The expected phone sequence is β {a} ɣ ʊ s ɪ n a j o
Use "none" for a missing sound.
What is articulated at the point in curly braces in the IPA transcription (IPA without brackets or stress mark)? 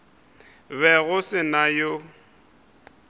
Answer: ɛ